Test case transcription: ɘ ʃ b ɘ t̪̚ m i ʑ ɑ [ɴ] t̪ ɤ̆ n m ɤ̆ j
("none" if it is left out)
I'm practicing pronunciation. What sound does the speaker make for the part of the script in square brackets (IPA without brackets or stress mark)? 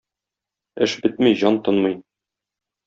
n